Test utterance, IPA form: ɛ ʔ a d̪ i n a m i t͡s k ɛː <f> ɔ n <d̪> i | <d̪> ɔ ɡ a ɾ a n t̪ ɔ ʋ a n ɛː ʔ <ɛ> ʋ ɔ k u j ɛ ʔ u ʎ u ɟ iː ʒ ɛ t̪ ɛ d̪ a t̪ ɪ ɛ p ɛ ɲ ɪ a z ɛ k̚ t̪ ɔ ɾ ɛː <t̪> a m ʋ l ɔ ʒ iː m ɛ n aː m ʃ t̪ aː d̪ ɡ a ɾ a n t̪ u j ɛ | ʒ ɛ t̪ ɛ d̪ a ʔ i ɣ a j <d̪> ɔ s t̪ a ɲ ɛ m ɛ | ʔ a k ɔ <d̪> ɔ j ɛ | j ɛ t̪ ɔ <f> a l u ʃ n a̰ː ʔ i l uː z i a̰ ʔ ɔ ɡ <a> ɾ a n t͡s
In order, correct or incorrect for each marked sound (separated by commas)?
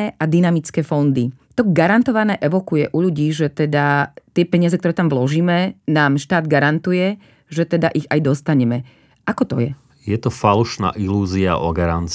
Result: correct, correct, incorrect, correct, correct, correct, incorrect, correct, correct